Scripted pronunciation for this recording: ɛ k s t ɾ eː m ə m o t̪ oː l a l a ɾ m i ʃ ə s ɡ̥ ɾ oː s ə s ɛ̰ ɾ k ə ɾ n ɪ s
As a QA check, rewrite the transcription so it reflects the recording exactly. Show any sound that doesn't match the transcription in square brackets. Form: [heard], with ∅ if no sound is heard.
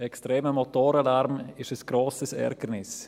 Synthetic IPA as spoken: ɛ k s t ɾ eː m ə m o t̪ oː [ɾ] a l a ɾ m [ɪ] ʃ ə s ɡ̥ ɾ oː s ə s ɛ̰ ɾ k ə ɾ n ɪ s